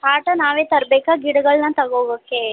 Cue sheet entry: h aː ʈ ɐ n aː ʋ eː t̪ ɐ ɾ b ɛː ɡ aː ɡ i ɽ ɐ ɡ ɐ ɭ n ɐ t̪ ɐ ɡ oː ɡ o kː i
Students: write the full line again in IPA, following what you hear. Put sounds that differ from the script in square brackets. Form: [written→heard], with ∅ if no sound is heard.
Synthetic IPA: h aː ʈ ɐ n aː ʋ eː t̪ ɐ ɾ b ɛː [ɡ→k] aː ɡ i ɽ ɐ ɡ ɐ ɭ n ɐ t̪ ɐ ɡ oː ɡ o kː [i→e]

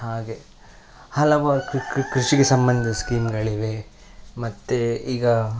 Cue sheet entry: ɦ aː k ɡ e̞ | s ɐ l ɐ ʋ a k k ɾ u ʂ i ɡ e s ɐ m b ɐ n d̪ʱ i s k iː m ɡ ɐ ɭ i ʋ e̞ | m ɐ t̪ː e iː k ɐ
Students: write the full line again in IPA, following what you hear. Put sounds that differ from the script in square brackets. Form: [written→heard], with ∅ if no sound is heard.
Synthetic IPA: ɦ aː [k→∅] ɡ e̞ | [s→h] ɐ l ɐ ʋ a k k ɾ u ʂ i ɡ e s ɐ m b ɐ n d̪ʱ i s k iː m ɡ ɐ ɭ i ʋ e̞ | m ɐ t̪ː e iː [k→ɡ] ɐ

